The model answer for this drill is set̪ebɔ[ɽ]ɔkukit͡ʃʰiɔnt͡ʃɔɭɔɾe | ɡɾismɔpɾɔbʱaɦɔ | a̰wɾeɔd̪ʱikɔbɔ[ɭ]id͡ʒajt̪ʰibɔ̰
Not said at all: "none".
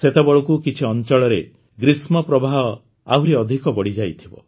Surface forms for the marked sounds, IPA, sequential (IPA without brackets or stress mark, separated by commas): ɭ, ɽ